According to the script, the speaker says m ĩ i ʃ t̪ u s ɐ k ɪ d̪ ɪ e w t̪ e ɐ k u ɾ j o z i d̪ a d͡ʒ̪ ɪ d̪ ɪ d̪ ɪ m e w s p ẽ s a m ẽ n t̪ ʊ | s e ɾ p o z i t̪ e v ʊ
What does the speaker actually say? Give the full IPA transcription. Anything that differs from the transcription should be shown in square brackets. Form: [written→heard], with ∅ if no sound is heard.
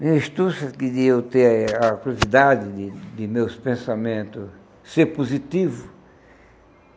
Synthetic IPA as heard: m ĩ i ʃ t̪ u s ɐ k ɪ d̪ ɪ e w t̪ e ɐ k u ɾ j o z i d̪ a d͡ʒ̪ ɪ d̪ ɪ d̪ ɪ m e w s p ẽ s a m ẽ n t̪ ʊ | s e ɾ p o z i t̪ [e→i] v ʊ

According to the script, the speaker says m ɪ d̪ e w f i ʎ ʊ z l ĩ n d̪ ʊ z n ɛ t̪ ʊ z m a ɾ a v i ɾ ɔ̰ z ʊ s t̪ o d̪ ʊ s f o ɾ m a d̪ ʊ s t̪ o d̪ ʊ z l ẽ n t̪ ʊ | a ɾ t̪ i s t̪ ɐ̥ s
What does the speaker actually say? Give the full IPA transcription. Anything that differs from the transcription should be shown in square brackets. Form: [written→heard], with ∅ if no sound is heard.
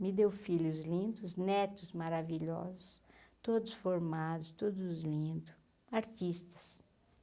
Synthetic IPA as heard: m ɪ d̪ e w f i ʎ ʊ z l ĩ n d̪ ʊ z n ɛ t̪ ʊ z m a ɾ a v i [ɾ→ʎ] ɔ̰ z ʊ s t̪ o d̪ ʊ s f o ɾ m a d̪ ʊ s t̪ o d̪ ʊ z l [ẽ→ĩ] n [t̪→d̪] ʊ | a ɾ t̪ i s t̪ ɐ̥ s

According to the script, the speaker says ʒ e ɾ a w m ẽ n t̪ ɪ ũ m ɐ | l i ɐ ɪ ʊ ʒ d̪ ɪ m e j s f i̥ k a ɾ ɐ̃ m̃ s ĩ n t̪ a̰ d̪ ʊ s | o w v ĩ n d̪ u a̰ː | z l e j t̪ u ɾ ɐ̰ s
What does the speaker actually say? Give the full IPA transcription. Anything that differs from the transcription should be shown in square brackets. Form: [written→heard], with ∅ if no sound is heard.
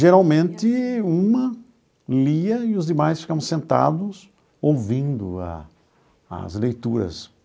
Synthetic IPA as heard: ʒ e ɾ a w m ẽ n t̪ ɪ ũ m ɐ | l i ɐ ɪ ʊ [ʒ→z] d̪ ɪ m [e→a] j s f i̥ k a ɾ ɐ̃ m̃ s [ĩ→ẽ] n t̪ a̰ d̪ ʊ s | o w v ĩ n d̪ [u→ʊ] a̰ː | z l e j t̪ u ɾ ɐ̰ s

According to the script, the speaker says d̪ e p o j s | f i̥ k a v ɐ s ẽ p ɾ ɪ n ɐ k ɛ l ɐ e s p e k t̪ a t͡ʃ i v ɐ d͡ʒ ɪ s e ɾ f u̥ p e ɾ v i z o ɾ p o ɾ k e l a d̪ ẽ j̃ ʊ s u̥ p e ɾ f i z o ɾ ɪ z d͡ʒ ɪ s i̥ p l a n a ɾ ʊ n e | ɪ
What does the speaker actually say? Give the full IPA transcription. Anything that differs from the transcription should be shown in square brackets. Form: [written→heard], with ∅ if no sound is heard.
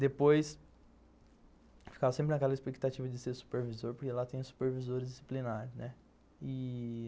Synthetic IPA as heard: d̪ e p o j s | f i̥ k a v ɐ s ẽ p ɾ ɪ n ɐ k ɛ l ɐ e s p e k t̪ a t͡ʃ i v ɐ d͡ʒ ɪ s e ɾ [f→s] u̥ p e ɾ v i z o ɾ p o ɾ k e l a [d̪→t̪] ẽ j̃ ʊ s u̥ p e ɾ [f→v] i z o ɾ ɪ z d͡ʒ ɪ s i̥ p l [a→i] n a ɾ ʊ n [e→ɛ] | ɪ

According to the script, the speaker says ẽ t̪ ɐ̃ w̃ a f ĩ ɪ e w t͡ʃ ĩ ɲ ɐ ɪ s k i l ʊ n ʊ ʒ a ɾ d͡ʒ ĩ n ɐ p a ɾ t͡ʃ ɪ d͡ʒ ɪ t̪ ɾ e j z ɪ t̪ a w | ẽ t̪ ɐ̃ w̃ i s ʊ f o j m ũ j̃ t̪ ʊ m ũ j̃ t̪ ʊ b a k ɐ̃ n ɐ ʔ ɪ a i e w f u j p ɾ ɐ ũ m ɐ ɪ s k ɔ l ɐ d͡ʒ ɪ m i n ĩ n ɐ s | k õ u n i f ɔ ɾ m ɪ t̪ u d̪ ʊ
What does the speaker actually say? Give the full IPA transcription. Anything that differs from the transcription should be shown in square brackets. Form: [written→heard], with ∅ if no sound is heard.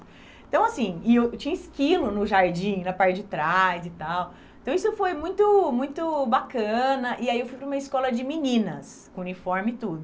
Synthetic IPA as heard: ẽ t̪ ɐ̃ w̃ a [f→s] ĩ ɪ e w t͡ʃ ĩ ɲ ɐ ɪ s k i l ʊ n ʊ ʒ a ɾ d͡ʒ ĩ n ɐ p a ɾ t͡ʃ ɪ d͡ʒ ɪ t̪ ɾ [e→a] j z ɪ t̪ a w | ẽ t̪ ɐ̃ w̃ i s ʊ f o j m ũ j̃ t̪ ʊ m ũ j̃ t̪ ʊ b a k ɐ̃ n ɐ ʔ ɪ a i e w f u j p ɾ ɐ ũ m ɐ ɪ s k ɔ l ɐ d͡ʒ ɪ m i n ĩ n ɐ s | k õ u n i f ɔ ɾ m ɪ t̪ u d̪ ʊ

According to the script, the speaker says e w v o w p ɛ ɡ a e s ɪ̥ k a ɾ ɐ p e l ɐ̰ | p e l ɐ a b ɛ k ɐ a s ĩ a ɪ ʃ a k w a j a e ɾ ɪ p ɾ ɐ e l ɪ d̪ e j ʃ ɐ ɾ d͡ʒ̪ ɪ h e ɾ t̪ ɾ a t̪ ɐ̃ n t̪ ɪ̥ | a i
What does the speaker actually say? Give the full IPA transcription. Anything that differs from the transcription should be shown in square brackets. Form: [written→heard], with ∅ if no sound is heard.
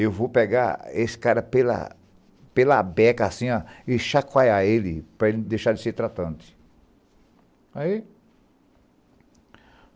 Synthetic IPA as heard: e w v o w p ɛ ɡ a e s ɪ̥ k a ɾ ɐ p e l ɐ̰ | p e l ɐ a b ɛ k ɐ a s ĩ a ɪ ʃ a k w a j a e [ɾ→l] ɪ p ɾ ɐ e l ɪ d̪ e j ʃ [ɐ→a] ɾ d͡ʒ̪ ɪ [h→s] e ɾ t̪ ɾ a t̪ ɐ̃ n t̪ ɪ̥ | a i

